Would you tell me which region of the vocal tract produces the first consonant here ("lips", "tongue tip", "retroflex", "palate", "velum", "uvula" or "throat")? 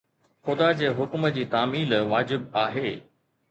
velum